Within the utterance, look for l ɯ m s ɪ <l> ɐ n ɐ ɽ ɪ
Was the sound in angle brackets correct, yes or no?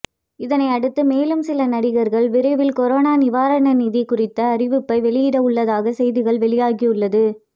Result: yes